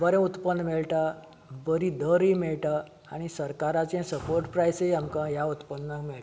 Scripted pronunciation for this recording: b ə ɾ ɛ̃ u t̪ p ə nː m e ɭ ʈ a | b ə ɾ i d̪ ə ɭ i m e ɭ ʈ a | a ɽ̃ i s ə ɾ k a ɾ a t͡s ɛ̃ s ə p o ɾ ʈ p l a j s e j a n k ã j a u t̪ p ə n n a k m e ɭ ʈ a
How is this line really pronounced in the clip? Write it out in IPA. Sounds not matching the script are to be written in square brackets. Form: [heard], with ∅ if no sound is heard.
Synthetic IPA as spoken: b ə ɾ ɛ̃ u t̪ p ə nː m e ɭ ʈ a | b ə ɾ i d̪ ə [ɾ] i m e ɭ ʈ a | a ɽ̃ i s ə ɾ k a ɾ a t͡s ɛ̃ s ə p o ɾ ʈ p [ɾ] a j s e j a [m] k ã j a u t̪ p ə n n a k m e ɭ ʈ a